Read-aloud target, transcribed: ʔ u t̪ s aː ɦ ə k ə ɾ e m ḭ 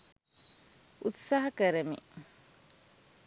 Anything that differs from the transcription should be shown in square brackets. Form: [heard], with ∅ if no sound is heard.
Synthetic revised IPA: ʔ u t̪ s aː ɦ [ɐ] k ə ɾ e m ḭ